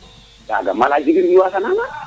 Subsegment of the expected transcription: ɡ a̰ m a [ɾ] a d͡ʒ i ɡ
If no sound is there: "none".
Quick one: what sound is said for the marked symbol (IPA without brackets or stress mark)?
l